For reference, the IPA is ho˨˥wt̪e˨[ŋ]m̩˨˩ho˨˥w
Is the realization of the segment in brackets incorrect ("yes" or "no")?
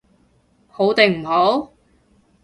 no